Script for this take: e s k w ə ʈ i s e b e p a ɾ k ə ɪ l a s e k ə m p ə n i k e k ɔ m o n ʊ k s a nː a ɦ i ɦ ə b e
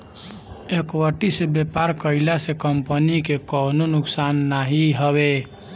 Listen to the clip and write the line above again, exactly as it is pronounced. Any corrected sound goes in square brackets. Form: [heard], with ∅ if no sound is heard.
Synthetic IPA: e [∅] k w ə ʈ i s e b e p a ɾ k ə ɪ l a s e k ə m p ə n i k e k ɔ [n] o n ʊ k s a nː a ɦ i ɦ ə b e